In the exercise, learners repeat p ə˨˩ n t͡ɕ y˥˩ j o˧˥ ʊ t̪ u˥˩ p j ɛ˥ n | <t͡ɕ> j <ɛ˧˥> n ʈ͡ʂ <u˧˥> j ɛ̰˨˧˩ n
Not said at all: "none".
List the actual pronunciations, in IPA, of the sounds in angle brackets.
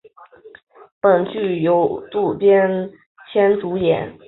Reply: t͡ɕʰ, ɛ˥, u˧˥

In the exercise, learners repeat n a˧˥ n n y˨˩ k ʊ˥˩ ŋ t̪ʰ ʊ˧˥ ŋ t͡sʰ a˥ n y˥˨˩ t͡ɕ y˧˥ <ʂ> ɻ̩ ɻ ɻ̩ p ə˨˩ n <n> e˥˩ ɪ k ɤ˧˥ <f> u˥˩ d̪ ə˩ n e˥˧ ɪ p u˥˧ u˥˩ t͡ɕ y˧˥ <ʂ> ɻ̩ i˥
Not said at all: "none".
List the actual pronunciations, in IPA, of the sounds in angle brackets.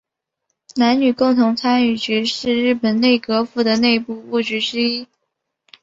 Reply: ʂ, n, f, ʈ͡ʂ

